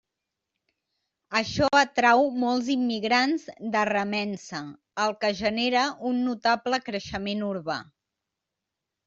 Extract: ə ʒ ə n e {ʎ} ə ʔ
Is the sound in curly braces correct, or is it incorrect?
incorrect: ɾ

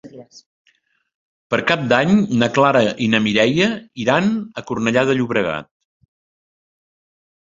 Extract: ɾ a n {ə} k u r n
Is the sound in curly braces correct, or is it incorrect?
correct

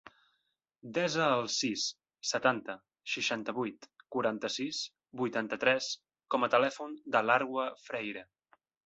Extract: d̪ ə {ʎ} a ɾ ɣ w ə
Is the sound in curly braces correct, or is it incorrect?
incorrect: l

